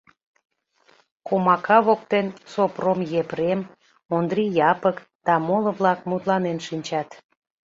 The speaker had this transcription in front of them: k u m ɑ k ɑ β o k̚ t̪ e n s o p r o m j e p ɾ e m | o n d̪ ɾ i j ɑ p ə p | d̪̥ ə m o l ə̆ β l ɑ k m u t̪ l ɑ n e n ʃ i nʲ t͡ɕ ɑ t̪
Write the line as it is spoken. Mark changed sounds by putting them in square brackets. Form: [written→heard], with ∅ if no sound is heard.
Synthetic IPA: k [u→o] m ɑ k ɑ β o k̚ t̪ e n s o p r o m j e p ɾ e m | o n d̪ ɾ i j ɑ p ə [p→k] | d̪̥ [ə→ɑ] m o l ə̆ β l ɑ k m u t̪ l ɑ n e n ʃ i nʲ t͡ɕ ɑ t̪